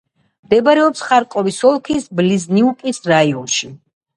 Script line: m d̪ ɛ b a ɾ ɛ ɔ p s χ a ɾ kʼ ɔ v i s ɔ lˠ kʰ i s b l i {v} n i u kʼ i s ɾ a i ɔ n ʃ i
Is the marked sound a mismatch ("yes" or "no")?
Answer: yes